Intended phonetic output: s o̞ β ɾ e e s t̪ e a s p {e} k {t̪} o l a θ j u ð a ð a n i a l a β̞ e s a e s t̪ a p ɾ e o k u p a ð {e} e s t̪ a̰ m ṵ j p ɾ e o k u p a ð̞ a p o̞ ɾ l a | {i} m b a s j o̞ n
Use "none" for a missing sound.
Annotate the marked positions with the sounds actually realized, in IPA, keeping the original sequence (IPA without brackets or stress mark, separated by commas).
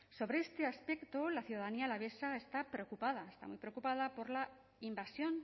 e, t̪, a, i